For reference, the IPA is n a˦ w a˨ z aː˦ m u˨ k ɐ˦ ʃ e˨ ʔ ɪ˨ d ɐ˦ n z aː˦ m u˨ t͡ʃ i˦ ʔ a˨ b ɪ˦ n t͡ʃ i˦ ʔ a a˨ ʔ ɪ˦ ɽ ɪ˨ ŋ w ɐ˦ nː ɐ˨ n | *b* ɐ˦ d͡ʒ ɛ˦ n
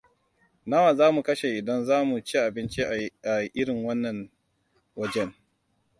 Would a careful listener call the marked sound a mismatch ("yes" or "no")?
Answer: yes